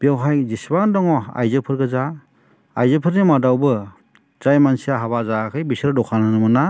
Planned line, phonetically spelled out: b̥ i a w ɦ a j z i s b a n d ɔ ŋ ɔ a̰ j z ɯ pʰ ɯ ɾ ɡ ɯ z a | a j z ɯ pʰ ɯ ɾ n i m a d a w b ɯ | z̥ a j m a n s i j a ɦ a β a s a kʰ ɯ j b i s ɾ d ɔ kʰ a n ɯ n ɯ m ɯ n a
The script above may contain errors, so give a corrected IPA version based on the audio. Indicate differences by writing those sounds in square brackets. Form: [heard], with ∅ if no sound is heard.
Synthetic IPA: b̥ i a w ɦ a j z i s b a n d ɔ ŋ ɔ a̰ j z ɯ pʰ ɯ ɾ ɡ ɯ z a | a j z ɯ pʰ ɯ ɾ n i m a d a w b ɯ | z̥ a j m a n s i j a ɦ a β a [z] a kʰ ɯ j b i s ɾ d ɔ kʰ a n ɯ n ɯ m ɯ n a